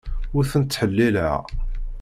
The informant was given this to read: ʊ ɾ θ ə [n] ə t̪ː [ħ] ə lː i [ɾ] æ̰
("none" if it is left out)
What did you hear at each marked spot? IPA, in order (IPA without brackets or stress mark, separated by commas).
n, ħ, l